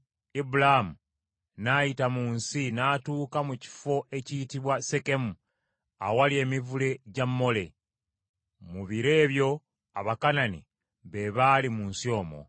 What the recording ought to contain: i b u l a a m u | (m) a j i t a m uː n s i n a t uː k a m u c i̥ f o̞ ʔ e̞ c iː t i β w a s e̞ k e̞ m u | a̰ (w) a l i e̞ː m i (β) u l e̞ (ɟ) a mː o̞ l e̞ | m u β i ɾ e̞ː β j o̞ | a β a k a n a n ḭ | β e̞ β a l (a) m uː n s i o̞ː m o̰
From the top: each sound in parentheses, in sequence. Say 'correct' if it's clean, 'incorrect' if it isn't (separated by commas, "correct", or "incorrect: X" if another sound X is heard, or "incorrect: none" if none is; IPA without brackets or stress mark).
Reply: incorrect: n, correct, incorrect: v, correct, incorrect: i